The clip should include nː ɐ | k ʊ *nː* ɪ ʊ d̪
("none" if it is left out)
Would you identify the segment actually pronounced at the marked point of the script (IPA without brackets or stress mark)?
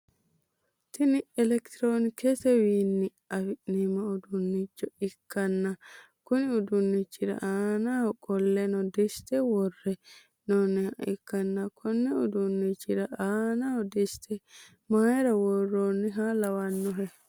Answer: n